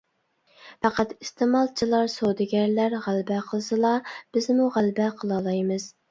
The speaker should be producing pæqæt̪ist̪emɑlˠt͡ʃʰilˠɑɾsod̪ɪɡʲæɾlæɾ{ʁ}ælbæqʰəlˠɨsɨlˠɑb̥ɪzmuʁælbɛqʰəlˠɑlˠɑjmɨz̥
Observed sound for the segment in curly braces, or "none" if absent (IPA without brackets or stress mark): ʁ